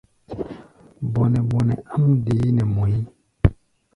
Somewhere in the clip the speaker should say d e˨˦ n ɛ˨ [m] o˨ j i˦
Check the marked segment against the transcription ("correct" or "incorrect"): correct